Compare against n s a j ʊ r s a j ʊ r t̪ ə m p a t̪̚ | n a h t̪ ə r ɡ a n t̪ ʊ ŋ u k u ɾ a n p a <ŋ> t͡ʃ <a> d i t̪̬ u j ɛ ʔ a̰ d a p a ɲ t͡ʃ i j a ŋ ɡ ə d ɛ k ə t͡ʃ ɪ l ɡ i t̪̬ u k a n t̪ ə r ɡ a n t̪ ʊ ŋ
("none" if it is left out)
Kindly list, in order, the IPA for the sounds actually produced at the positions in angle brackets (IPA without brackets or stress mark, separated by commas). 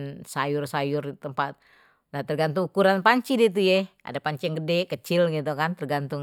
ɲ, i